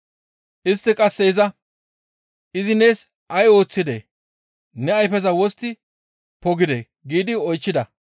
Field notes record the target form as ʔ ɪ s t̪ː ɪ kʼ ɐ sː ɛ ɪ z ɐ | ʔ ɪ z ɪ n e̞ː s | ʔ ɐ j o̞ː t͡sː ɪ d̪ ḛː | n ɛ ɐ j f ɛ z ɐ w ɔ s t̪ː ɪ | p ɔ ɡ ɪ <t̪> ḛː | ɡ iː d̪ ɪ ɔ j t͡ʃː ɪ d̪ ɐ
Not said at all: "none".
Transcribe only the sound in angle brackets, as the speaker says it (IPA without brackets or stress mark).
d̪